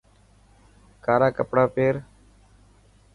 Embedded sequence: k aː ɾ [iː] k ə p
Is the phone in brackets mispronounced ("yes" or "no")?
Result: yes